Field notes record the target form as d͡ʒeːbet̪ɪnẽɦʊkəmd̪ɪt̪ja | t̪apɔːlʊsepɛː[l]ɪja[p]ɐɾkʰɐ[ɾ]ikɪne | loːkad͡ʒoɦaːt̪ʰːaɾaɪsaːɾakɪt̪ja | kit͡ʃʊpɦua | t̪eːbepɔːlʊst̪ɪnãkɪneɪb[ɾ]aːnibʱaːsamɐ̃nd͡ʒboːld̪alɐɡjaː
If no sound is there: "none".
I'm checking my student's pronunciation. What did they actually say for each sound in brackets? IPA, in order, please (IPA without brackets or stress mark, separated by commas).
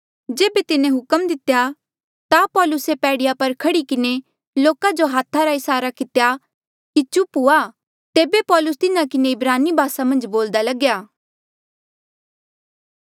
ɽ, p, ɽ, ɾ